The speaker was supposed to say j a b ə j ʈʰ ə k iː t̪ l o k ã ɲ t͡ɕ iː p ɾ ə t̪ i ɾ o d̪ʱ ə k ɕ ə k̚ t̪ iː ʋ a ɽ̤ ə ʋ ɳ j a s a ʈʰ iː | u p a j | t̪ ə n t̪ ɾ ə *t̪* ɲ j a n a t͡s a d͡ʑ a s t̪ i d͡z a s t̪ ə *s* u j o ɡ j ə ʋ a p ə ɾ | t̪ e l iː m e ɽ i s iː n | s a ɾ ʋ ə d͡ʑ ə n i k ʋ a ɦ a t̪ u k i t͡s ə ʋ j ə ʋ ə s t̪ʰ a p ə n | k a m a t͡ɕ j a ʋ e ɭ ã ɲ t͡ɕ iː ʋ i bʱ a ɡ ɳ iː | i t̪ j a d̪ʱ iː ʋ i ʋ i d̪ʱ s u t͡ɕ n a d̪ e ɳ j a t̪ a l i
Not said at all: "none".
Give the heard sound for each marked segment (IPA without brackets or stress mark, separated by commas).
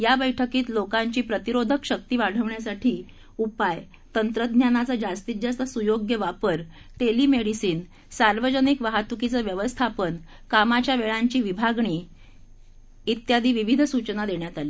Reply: d̪, s